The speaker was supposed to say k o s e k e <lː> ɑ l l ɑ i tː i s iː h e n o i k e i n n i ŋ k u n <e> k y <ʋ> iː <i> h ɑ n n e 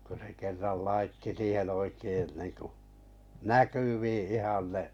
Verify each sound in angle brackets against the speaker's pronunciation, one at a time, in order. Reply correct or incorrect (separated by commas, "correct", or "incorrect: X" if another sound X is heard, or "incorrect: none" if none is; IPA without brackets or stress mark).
incorrect: rː, incorrect: æ, correct, correct